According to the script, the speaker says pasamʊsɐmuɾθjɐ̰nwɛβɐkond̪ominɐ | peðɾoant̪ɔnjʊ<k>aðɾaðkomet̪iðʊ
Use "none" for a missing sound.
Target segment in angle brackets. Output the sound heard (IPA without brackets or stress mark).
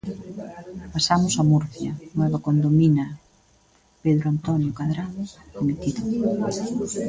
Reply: k